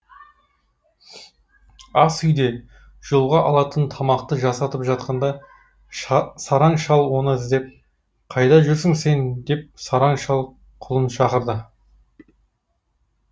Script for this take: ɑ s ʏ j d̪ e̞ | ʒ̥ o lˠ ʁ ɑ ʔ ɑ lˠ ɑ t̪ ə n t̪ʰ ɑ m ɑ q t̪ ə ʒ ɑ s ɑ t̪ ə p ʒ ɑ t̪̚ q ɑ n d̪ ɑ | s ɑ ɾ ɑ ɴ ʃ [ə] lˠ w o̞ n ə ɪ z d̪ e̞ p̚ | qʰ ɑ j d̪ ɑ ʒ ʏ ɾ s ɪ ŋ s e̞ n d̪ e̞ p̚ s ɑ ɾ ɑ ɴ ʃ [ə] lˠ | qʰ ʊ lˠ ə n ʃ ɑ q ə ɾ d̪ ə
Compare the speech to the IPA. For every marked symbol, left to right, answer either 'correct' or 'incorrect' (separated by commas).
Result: incorrect, incorrect